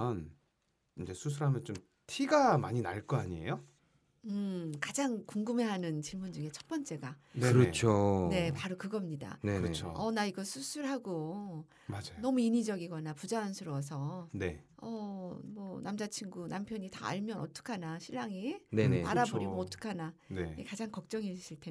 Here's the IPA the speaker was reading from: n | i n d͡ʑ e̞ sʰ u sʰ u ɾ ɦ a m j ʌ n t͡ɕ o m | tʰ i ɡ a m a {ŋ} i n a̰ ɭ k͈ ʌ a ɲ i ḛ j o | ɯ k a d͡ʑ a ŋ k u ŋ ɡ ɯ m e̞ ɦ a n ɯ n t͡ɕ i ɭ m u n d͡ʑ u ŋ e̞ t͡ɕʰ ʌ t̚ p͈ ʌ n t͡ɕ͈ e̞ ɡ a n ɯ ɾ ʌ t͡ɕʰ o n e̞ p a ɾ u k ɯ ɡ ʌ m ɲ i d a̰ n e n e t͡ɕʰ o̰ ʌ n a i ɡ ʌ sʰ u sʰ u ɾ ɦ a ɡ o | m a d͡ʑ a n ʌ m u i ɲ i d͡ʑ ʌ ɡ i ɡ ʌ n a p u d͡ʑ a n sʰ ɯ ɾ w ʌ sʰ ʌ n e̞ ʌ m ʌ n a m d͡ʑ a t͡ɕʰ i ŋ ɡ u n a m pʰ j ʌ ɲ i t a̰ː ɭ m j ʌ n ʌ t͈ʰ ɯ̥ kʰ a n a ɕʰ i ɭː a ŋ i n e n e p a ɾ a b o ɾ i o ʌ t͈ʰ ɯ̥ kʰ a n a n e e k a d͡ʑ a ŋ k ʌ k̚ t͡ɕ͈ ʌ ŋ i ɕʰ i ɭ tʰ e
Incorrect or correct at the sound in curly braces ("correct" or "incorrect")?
incorrect